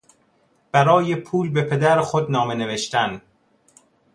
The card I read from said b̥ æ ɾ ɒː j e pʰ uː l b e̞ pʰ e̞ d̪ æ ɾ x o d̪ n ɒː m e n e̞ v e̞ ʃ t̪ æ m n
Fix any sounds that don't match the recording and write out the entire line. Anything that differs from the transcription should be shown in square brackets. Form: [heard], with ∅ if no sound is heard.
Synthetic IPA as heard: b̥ æ ɾ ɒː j e pʰ uː l b e̞ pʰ e̞ d̪ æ ɾ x o d̪ n ɒː m e n e̞ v e̞ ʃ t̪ æ [∅] n